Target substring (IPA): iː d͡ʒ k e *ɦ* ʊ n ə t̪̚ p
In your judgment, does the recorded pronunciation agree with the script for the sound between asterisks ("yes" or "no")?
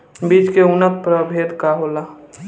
no